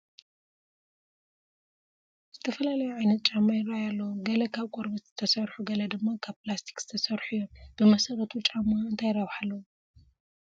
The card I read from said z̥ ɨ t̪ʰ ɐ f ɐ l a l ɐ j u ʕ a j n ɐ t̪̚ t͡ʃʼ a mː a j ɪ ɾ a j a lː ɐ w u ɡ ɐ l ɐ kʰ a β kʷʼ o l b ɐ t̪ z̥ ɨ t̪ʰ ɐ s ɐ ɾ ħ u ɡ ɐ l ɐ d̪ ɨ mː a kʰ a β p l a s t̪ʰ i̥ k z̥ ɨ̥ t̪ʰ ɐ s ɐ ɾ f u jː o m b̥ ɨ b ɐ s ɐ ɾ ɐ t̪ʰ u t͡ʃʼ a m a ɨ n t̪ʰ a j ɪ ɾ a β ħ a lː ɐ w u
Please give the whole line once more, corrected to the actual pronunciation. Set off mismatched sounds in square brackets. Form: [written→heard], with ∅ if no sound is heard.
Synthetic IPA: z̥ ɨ t̪ʰ ɐ f ɐ l a l ɐ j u ʕ a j n ɐ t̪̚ t͡ʃʼ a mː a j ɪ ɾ a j a lː ɐ w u ɡ ɐ l ɐ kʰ a β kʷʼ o [l→ɾ] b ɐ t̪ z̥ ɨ t̪ʰ ɐ s ɐ ɾ ħ u ɡ ɐ l ɐ d̪ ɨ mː a kʰ a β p l a s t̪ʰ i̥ k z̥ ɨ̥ t̪ʰ ɐ s ɐ ɾ [f→ħ] u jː o m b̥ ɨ [b→m] ɐ s ɐ ɾ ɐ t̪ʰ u t͡ʃʼ a m a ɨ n t̪ʰ a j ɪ ɾ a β ħ a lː ɐ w u

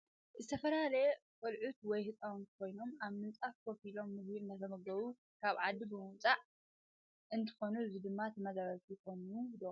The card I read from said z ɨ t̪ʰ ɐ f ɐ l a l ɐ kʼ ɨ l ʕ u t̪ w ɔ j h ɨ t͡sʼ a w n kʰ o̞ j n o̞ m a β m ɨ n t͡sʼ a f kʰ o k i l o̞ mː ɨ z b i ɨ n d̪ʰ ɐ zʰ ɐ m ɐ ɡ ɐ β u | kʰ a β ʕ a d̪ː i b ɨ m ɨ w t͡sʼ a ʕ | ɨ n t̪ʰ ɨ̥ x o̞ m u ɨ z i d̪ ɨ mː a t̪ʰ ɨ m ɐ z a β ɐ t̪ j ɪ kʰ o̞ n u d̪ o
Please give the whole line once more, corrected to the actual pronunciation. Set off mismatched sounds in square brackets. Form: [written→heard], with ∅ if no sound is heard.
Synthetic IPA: z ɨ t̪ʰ ɐ f ɐ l a l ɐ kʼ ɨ l ʕ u t̪ w ɔ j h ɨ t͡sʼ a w n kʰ o̞ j n o̞ m a β m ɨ n t͡sʼ a f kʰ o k i l o̞ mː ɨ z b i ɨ n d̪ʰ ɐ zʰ ɐ m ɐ ɡ ɐ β u | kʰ a β ʕ a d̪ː i b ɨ m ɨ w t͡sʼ a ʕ | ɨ n t̪ʰ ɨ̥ x o̞ [m→n] u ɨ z i d̪ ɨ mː a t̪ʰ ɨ m ɐ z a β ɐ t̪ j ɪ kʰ o̞ n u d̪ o

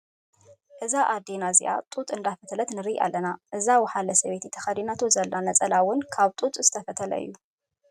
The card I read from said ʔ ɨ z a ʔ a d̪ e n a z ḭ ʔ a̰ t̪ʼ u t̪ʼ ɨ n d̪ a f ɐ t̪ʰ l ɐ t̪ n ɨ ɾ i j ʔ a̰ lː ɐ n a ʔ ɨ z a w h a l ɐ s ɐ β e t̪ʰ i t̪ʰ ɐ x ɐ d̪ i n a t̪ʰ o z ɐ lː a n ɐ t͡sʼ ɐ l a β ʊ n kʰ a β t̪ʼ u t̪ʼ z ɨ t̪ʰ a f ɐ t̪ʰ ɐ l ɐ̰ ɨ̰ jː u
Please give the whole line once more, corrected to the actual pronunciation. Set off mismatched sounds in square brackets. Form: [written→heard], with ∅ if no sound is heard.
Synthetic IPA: ʔ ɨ z a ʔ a d̪ e n a z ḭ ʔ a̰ t̪ʼ u t̪ʼ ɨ n d̪ a f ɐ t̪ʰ l ɐ t̪ n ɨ ɾ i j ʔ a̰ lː ɐ n a ʔ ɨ z a w [h→ħ] a l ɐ s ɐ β e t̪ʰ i t̪ʰ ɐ x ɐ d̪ i n a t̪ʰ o z ɐ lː a n ɐ t͡sʼ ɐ l a [β→w] ʊ n kʰ a β t̪ʼ u t̪ʼ z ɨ t̪ʰ [a→ɐ] f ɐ t̪ʰ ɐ l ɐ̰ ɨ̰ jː u

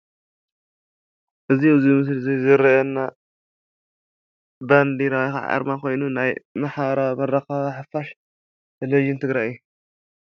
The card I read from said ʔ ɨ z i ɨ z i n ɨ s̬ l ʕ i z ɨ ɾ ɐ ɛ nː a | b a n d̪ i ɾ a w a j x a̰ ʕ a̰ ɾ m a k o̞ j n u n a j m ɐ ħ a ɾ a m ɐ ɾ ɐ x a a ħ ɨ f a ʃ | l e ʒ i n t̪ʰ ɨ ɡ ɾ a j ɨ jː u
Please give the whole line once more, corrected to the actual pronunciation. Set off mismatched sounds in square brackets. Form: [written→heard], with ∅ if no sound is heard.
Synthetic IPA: ʔ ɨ z i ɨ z i [n→m] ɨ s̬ l [ʕ→z] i z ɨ ɾ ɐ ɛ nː a | b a n d̪ i ɾ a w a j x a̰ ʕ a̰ ɾ m a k o̞ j n u n a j m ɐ ħ a ɾ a m ɐ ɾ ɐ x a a ħ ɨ f a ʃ | l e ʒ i n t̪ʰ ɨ ɡ ɾ a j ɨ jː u

